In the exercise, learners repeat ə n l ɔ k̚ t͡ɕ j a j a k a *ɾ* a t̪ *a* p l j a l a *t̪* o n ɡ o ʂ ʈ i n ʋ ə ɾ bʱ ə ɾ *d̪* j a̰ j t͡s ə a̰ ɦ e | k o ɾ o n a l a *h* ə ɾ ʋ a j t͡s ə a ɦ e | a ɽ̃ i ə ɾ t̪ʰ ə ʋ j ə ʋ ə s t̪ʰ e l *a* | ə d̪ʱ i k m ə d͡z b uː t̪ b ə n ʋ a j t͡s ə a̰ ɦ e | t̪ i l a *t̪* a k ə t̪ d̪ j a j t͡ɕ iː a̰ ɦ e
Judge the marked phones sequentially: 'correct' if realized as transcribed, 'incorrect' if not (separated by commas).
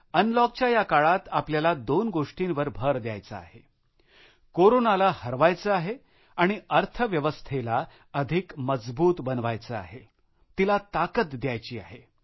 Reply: incorrect, correct, incorrect, correct, correct, correct, correct